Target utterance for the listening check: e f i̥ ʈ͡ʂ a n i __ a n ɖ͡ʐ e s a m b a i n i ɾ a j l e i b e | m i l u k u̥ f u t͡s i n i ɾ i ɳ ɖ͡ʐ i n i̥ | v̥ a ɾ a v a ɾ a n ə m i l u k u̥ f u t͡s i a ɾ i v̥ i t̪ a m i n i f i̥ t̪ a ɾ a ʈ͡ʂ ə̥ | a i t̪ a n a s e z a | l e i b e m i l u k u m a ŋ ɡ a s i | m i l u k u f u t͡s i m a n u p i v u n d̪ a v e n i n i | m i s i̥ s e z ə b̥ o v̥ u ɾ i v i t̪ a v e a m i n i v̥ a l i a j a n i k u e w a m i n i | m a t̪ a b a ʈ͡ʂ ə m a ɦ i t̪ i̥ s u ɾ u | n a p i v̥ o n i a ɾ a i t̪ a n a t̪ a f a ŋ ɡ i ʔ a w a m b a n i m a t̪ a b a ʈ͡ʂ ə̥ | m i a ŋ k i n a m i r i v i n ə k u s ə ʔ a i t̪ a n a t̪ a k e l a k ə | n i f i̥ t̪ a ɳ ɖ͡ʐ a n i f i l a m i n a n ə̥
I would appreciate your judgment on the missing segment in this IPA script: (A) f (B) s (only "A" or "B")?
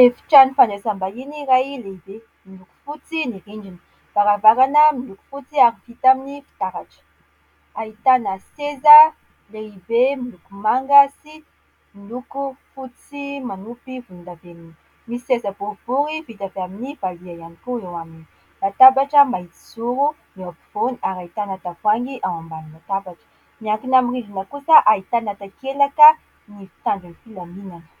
A